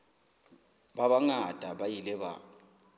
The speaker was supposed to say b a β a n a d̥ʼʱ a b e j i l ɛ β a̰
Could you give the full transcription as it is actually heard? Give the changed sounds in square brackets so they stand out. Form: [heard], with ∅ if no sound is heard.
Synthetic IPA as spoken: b a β a [ŋ] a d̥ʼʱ a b [a] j i l ɛ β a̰